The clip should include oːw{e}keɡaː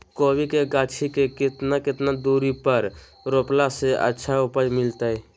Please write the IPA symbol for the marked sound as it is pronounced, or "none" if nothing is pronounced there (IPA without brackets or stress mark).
i